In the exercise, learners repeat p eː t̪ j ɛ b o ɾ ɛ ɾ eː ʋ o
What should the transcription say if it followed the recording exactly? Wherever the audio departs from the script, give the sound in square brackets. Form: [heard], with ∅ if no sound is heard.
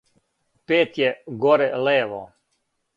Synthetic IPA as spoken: p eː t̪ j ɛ [ɡ] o ɾ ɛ [l] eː ʋ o